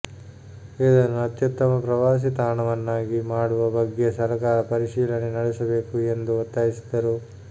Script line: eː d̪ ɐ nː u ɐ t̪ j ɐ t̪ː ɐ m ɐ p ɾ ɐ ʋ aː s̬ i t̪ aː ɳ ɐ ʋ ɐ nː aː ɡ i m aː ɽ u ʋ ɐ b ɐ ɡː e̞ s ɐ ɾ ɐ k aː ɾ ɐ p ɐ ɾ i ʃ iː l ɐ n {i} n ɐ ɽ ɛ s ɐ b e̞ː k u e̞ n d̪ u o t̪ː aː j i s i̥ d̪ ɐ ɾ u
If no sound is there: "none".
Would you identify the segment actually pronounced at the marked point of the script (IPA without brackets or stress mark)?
e